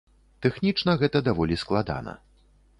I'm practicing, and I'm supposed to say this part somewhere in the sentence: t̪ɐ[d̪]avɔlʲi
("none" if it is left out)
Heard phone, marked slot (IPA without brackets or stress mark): d̪